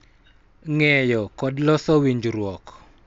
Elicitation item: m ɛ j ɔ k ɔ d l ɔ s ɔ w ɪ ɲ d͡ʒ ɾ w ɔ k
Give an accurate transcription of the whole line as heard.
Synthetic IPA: ŋ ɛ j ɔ k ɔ d l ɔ s ɔ w i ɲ d͡ʒ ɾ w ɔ k